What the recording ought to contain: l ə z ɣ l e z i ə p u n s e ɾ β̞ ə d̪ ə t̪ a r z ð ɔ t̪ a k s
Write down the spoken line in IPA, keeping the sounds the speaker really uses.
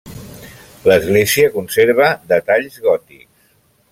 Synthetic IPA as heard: l ə z ɣ l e z i ə k u n s e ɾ β̞ ə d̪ ə t̪ a ʎ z ɣ ɔ t̪ i k s

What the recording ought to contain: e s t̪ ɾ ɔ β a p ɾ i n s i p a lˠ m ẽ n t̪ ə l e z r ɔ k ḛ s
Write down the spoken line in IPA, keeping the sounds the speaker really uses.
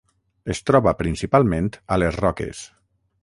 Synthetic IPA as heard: e s t̪ ɾ ɔ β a p ɾ i n s i p a lˠ m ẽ n t̪ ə l e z r ɔ k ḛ s

